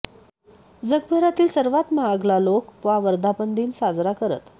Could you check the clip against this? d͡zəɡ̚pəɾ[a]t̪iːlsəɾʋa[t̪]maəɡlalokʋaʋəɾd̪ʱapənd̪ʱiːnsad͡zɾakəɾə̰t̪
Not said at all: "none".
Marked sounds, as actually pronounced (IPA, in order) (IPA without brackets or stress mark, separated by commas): a, t̪